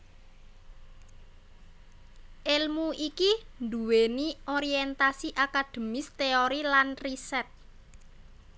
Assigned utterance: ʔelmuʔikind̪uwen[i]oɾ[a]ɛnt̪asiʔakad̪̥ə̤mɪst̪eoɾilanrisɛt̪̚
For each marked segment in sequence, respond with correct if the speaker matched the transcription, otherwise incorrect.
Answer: correct, incorrect: i

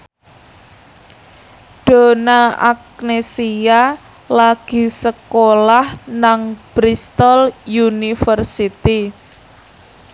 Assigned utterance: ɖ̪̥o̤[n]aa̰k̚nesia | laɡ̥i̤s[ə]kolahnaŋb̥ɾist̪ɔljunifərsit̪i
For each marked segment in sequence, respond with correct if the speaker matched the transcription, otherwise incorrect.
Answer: correct, correct

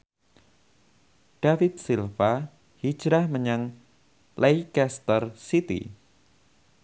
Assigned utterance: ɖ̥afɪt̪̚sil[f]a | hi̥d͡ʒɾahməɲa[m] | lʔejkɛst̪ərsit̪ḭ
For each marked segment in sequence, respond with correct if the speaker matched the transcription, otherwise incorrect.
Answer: correct, incorrect: ŋ

